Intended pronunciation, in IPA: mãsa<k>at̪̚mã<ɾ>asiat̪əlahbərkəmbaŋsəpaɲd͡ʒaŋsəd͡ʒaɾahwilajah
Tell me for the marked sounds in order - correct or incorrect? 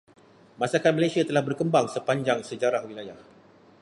correct, incorrect: l

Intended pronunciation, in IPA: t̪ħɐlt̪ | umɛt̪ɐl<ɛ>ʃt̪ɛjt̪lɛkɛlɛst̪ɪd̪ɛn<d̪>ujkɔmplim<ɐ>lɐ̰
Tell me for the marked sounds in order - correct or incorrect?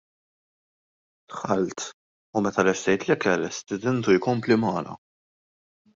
correct, incorrect: t̪, incorrect: ɐː

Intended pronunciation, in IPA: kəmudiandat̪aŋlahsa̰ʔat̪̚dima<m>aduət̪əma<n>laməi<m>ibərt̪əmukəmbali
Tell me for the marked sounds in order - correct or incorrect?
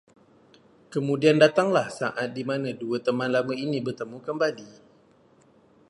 incorrect: n, correct, incorrect: n

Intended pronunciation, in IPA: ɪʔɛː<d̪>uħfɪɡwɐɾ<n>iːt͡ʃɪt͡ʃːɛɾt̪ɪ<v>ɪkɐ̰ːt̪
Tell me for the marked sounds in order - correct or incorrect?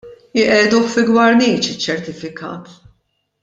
correct, correct, incorrect: f

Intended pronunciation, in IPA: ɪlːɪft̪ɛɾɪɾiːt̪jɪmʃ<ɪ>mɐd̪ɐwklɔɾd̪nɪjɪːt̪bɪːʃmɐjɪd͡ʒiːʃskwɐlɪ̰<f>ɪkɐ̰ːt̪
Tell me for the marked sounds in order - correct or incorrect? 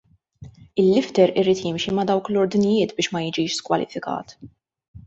incorrect: i, correct

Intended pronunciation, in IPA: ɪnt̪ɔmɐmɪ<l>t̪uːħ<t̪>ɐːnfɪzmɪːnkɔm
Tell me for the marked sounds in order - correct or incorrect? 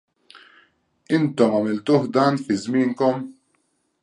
correct, incorrect: d̪

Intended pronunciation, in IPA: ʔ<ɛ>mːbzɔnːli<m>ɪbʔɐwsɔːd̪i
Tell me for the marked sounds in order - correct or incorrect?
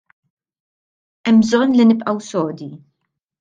correct, incorrect: n

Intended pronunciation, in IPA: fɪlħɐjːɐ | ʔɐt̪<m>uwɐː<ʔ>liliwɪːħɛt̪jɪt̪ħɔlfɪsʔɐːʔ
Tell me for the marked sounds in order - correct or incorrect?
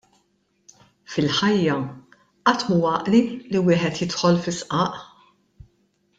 correct, correct

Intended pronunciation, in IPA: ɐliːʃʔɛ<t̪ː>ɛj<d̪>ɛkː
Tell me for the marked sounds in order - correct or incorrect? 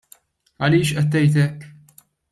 correct, incorrect: t̪

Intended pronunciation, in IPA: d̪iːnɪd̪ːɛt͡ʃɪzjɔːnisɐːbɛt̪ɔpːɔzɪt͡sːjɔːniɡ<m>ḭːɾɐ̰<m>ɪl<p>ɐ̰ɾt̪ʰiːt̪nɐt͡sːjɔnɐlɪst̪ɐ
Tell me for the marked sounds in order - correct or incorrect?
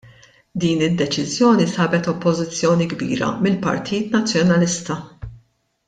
incorrect: b, correct, correct

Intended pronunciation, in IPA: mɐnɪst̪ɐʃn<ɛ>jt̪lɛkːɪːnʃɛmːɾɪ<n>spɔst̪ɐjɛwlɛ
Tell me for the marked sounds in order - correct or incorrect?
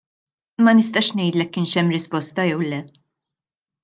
correct, incorrect: none

